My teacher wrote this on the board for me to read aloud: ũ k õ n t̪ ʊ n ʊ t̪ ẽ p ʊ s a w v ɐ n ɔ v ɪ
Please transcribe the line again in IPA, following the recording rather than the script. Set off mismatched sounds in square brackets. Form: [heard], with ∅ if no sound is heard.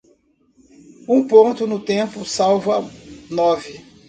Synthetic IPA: ũ [p] õ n t̪ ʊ n ʊ t̪ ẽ p ʊ s a w v ɐ n ɔ v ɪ

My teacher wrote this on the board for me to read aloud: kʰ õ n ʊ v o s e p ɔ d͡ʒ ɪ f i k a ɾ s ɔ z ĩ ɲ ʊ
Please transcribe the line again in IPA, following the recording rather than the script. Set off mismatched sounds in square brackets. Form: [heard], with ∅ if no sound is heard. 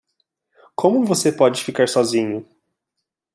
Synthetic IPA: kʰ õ [m] ʊ v o s e p ɔ d͡ʒ ɪ f i k a ɾ s ɔ z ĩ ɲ ʊ

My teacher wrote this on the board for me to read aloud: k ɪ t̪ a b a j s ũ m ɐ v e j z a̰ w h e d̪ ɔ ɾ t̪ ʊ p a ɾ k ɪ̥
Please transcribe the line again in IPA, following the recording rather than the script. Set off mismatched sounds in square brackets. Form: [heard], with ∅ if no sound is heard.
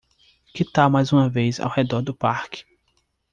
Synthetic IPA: k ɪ t̪ a [m] a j [z] ũ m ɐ v e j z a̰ w h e d̪ ɔ ɾ [d̪] ʊ p a ɾ k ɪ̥

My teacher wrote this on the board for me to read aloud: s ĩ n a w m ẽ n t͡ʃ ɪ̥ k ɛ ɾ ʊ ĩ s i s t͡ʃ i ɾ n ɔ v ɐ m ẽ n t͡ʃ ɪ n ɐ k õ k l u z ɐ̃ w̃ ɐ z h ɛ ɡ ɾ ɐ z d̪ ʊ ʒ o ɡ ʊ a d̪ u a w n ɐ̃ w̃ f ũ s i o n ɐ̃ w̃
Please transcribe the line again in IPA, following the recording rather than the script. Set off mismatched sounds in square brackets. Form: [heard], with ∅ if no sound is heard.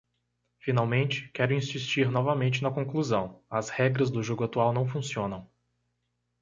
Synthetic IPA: [f] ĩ n a w m ẽ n t͡ʃ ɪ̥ k ɛ ɾ ʊ ĩ s i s t͡ʃ i ɾ n ɔ v ɐ m ẽ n t͡ʃ ɪ n ɐ k õ k l u z ɐ̃ w̃ ɐ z h ɛ ɡ ɾ ɐ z d̪ ʊ ʒ o ɡ ʊ a [t̪] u a w n ɐ̃ w̃ f ũ s i [õ] n ɐ̃ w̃

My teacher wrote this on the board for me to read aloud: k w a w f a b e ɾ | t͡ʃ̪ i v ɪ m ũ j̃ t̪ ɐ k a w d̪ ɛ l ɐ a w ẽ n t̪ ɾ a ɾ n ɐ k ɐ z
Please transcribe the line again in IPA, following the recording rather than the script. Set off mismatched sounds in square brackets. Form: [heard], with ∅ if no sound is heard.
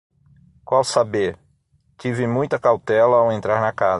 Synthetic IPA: k w a w [s] a b e ɾ | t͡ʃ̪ i v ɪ m ũ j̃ t̪ ɐ k a w [t̪] ɛ l ɐ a w ẽ n t̪ ɾ a ɾ n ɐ k [a] z

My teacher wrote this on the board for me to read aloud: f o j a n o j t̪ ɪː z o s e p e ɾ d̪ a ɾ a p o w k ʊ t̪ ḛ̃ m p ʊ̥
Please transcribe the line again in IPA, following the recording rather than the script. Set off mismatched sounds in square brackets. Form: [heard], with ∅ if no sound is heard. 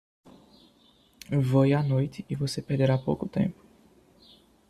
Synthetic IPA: [v] o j a n o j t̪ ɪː [v] o s e p e ɾ d̪ [e] ɾ a p o w k ʊ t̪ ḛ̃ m p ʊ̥

